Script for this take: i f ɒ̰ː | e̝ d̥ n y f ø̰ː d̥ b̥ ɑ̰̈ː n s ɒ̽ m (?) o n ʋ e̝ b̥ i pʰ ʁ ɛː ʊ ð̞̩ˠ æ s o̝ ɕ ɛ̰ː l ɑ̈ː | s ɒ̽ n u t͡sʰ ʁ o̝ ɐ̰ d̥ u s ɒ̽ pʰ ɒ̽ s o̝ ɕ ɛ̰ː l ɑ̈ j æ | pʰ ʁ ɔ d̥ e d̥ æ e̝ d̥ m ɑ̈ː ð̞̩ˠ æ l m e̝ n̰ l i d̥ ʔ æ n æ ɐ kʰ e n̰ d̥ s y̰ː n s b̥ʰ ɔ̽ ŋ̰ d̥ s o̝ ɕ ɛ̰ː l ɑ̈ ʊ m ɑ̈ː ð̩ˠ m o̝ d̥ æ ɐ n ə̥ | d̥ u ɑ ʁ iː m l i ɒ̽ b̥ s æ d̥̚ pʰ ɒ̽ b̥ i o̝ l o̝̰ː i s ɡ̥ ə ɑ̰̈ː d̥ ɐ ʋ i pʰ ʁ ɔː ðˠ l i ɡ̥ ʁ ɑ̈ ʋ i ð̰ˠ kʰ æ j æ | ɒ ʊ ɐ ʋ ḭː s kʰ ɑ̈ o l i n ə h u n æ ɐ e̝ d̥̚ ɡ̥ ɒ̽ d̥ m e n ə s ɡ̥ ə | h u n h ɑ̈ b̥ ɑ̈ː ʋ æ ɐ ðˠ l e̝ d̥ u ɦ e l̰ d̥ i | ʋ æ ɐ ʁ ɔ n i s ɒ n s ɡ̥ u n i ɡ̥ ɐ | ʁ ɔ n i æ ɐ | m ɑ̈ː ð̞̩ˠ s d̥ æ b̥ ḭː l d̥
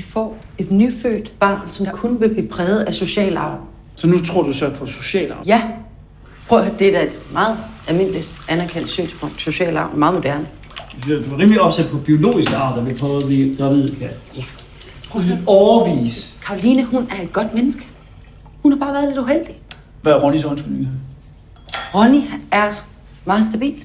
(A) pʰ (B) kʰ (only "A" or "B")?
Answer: B